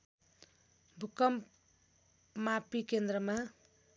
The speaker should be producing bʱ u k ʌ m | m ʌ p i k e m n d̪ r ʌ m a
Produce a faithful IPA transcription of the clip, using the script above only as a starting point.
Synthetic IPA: bʱ u k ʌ m | m a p i k e n d̪ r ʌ m a